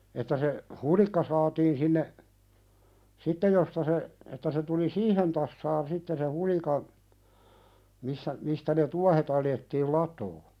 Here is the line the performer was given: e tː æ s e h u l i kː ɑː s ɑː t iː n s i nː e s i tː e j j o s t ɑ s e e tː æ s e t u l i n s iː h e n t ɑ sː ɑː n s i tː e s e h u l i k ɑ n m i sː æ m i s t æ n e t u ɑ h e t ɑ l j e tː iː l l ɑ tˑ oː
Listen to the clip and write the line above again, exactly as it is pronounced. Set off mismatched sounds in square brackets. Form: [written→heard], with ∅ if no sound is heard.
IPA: e tː æ s e h u l i kː [ɑː→ɑ] s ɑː t iː n s i nː e s i tː e j j o s t ɑ s e e tː æ s e t u l i [n→∅] s iː h e n t ɑ sː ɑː n s i tː e s e h u l i k ɑ n m i sː æ m i s t æ n e t u ɑ h e t ɑ l j e tː iː l l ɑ tˑ oː